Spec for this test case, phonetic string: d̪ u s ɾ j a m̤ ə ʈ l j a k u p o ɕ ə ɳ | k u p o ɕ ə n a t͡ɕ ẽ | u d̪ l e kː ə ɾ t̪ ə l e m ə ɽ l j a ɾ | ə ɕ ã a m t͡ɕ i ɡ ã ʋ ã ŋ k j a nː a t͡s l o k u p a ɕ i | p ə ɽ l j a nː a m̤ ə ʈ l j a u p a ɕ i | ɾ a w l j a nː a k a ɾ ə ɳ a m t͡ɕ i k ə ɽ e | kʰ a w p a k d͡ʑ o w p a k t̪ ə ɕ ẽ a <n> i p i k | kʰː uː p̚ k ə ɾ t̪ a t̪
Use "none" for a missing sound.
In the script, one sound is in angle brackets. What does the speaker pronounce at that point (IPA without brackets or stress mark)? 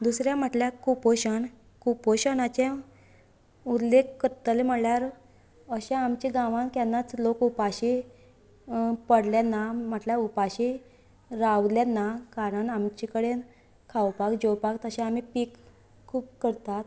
m